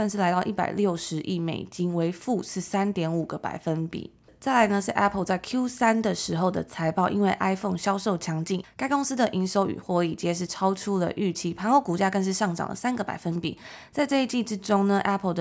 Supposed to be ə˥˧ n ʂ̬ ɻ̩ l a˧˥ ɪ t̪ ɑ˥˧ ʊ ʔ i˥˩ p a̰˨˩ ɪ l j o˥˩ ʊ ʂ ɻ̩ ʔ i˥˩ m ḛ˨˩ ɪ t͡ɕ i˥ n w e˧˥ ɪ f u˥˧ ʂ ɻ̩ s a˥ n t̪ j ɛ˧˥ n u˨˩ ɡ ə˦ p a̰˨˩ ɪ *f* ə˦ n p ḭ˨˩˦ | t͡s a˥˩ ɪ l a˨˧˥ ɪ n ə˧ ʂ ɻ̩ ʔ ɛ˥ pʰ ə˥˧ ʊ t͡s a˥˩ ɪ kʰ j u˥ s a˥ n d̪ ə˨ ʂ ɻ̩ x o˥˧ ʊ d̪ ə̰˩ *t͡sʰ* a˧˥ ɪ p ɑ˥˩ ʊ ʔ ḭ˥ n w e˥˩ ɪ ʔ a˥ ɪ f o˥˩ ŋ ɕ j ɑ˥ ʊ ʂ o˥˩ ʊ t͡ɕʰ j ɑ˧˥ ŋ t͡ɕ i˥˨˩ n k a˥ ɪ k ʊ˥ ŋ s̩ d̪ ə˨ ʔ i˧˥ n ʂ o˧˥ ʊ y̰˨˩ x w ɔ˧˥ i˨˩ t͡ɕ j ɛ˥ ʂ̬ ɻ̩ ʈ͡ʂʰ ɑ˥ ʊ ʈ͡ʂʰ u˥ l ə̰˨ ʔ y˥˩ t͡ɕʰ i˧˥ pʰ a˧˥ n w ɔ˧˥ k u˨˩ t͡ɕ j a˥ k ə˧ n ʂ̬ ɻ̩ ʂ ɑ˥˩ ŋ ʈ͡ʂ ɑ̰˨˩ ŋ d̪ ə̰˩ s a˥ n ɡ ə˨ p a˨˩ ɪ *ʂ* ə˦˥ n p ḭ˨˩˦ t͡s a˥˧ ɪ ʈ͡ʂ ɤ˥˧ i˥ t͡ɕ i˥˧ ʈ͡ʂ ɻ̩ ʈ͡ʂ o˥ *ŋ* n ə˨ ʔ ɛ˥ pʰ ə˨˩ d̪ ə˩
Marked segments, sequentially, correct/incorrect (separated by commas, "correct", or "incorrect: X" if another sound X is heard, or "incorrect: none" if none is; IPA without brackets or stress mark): correct, correct, incorrect: f, correct